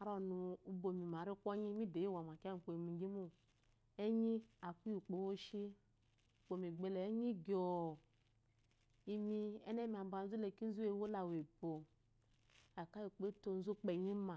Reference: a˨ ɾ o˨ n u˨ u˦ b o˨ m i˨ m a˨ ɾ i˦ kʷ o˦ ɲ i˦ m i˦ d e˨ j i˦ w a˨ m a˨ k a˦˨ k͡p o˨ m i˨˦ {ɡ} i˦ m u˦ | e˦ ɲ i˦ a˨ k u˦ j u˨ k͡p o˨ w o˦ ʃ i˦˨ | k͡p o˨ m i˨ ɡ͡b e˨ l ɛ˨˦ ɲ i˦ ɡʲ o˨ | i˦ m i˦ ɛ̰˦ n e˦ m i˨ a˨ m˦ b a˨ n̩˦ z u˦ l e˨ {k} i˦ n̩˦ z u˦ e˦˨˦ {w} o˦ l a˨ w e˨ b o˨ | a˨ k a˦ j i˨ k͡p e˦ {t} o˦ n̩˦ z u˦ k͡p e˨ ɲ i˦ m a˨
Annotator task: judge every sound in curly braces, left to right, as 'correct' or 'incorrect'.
correct, correct, correct, correct

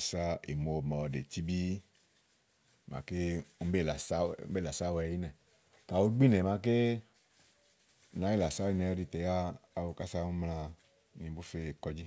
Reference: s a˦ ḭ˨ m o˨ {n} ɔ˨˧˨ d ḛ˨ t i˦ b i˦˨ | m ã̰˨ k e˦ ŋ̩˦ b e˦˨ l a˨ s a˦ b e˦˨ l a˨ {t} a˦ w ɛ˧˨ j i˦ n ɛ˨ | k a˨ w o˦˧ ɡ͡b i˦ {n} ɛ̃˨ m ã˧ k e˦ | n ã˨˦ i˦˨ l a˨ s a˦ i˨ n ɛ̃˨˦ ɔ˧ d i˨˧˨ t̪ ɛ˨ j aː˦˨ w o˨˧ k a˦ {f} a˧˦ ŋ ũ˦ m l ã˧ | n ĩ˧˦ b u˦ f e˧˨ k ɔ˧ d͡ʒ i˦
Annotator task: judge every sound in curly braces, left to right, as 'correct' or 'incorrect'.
incorrect: m, incorrect: s, correct, incorrect: s

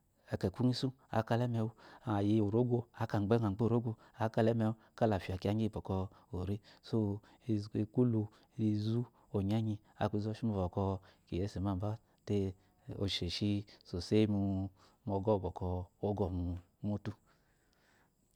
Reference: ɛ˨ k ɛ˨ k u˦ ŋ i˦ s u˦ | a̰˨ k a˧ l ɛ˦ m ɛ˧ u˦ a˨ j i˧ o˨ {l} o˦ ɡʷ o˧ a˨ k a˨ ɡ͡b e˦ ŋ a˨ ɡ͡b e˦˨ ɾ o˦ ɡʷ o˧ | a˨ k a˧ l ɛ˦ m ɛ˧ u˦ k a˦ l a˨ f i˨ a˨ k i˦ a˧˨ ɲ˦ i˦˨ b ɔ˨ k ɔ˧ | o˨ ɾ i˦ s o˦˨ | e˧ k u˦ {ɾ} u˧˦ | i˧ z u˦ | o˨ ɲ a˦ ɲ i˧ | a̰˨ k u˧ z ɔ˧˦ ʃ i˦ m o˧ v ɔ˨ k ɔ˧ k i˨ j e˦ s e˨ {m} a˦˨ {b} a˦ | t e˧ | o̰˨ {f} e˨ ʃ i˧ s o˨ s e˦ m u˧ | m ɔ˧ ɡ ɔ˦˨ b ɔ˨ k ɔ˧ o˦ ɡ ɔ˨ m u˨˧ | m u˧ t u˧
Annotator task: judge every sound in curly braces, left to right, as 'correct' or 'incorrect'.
incorrect: ɾ, incorrect: l, correct, correct, incorrect: ʃ

